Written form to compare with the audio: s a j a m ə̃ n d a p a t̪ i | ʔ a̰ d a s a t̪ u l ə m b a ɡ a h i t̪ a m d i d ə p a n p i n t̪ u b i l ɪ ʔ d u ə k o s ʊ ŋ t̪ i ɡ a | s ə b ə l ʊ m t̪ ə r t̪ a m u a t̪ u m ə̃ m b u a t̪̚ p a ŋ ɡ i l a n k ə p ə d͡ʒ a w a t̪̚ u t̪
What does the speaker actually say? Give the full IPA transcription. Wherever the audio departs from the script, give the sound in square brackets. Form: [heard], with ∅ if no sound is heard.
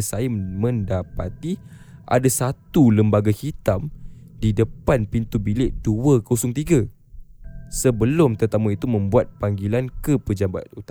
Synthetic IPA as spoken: s a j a m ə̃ n d a p a t̪ i | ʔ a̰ d a s a t̪ u l ə m b a ɡ a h i t̪ a m d i d ə p a n p i n t̪ u b i l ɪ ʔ d u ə k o s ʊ ŋ t̪ i ɡ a | s ə b ə l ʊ m t̪ ə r t̪ a m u [i] t̪ u m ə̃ m b u a t̪̚ p a ŋ ɡ i l a n k ə p ə d͡ʒ a [b] a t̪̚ u t̪